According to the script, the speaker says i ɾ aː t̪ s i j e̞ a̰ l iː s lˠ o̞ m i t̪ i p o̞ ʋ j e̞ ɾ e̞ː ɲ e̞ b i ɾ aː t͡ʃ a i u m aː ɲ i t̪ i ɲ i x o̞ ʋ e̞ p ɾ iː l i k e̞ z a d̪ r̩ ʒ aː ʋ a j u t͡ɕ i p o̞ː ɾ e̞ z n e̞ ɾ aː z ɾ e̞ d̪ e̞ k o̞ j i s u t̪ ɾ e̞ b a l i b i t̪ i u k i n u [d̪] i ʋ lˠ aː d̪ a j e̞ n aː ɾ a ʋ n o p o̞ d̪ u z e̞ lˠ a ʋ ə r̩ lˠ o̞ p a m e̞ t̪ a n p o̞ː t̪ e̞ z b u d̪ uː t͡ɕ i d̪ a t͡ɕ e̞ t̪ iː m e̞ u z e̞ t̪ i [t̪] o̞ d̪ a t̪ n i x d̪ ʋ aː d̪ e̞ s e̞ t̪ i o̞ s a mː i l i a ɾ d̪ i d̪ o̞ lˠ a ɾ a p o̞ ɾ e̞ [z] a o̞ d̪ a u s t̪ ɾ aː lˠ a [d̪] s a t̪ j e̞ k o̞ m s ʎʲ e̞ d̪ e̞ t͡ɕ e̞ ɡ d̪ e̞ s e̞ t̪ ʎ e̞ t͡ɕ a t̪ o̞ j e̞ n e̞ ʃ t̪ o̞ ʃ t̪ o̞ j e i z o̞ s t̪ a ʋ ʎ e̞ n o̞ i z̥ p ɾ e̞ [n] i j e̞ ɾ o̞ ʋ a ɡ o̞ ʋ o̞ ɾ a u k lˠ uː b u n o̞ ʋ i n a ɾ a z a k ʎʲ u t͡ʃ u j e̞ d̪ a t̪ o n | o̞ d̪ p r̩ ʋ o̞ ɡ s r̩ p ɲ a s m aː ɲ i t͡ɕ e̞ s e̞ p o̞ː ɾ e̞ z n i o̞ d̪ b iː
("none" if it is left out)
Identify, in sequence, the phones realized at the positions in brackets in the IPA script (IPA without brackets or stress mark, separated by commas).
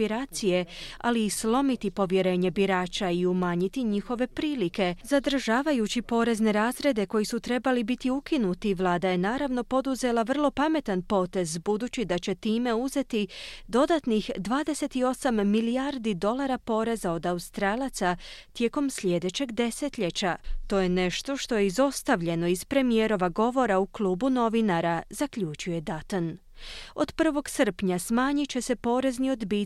t̪, d̪, z, t̪, m